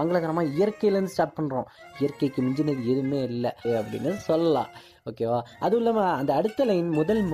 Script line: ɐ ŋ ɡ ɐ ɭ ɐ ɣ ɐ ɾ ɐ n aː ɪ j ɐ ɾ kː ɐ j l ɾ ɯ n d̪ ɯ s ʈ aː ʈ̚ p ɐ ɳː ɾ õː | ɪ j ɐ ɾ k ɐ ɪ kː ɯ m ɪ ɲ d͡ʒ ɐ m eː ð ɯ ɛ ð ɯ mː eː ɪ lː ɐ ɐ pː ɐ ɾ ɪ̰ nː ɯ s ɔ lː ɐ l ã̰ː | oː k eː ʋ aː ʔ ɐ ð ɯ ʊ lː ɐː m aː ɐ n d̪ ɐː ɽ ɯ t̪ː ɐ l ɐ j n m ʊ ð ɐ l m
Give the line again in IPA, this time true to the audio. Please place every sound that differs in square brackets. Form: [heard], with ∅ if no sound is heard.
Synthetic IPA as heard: ɐ ŋ ɡ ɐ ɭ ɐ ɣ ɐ ɾ ɐ [m] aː ɪ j ɐ ɾ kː ɐ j l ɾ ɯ n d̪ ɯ s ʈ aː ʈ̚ p ɐ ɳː ɾ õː | ɪ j ɐ ɾ k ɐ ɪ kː ɯ m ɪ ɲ d͡ʒ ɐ [n] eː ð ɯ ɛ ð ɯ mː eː ɪ lː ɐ ɐ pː ɐ [ɽ] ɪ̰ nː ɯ s ɔ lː ɐ l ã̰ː | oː k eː ʋ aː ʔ ɐ ð ɯ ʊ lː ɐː m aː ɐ n d̪ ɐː ɽ ɯ t̪ː ɐ l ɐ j n m ʊ ð ɐ l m